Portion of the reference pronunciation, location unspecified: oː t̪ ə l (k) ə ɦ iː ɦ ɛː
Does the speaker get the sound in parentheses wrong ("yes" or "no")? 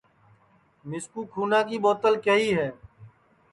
no